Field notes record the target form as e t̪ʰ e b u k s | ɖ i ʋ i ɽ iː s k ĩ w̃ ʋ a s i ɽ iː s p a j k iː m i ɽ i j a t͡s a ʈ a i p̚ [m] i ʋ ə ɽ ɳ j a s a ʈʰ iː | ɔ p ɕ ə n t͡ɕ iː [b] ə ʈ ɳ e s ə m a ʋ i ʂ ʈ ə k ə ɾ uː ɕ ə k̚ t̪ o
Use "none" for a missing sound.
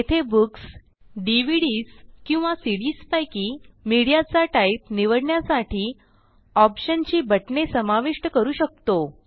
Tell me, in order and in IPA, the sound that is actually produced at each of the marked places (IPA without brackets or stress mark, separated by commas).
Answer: n, b